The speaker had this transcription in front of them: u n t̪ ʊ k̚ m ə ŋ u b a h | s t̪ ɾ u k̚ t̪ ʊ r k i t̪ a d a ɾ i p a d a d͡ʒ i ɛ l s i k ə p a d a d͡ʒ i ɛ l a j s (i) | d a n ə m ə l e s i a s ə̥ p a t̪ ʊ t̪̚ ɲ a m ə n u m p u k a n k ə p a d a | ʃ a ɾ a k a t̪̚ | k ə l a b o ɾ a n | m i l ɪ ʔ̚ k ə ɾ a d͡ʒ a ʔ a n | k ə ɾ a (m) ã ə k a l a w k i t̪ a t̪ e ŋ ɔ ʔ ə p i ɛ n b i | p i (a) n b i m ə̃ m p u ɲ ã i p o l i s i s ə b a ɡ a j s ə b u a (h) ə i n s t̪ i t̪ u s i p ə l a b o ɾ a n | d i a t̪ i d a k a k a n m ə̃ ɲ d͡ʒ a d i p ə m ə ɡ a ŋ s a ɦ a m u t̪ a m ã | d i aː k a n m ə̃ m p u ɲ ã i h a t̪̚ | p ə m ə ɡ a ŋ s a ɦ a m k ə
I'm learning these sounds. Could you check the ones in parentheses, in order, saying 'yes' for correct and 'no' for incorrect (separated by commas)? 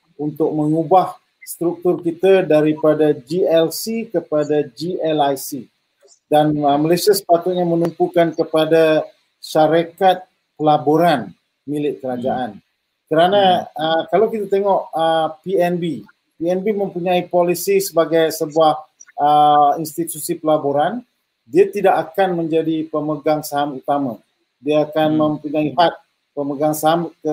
yes, no, no, yes